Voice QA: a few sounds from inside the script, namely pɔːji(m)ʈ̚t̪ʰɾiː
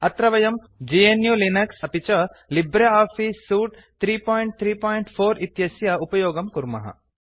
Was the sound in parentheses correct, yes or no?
no